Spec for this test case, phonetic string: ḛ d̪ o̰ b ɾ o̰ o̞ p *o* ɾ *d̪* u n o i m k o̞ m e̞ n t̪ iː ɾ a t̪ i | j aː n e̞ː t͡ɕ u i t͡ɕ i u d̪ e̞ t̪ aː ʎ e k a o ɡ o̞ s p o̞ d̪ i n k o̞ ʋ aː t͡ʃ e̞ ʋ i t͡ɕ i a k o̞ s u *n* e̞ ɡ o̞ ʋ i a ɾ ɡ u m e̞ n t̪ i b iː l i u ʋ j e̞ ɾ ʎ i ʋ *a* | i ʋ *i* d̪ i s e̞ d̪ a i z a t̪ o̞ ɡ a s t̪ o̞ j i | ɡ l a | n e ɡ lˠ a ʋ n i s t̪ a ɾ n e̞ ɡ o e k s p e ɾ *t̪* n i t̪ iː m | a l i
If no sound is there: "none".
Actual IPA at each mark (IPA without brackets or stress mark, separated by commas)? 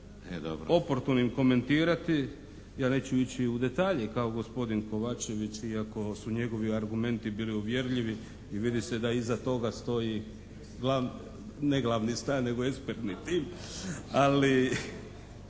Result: o, t̪, ɲ, i, i, t̪